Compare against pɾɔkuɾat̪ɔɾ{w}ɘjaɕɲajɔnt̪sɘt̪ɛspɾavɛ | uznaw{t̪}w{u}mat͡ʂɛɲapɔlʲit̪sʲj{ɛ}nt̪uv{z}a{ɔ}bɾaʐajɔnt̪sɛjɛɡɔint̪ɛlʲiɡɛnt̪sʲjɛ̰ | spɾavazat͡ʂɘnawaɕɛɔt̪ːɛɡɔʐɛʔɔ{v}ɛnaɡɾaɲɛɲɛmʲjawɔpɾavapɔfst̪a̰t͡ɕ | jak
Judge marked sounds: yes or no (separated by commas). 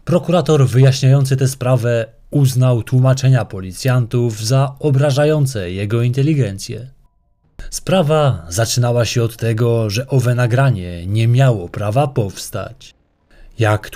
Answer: no, yes, yes, no, yes, yes, yes